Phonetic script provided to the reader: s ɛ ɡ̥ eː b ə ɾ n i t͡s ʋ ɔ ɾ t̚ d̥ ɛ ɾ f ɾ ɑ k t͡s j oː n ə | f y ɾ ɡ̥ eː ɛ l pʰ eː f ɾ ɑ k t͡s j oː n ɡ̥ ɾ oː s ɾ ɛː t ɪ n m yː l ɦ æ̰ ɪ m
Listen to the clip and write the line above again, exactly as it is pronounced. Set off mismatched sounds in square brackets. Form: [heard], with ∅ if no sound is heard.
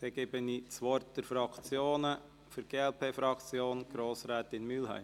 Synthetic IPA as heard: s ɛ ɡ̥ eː b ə [∅] n i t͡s ʋ ɔ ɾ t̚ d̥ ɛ ɾ f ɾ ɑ k t͡s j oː n ə | f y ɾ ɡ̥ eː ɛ l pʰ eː f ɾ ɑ k t͡s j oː n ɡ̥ ɾ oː s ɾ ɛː t ɪ n m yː l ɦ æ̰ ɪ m